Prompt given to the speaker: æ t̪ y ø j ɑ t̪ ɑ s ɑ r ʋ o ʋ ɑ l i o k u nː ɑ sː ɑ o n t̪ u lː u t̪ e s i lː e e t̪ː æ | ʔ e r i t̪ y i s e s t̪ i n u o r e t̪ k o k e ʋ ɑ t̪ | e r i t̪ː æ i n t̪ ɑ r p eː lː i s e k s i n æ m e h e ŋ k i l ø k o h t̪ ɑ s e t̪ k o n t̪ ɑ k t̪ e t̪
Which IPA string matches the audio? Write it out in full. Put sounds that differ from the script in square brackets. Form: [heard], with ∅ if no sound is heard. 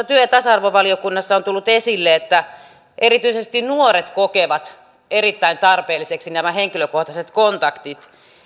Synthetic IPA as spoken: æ t̪ y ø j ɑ t̪ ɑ s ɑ r ʋ o ʋ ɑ l i o k u nː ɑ sː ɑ o n t̪ u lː u t̪ e s i lː e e t̪ː æ | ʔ e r i t̪ y i s e s t̪ i n u o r e t̪ k o k e ʋ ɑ t̪ | e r i t̪ː æ i n t̪ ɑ r p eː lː i s e k s i n æ m [æ] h e ŋ k i l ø k o h t̪ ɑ s e t̪ k o n t̪ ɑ k t̪ [i] t̪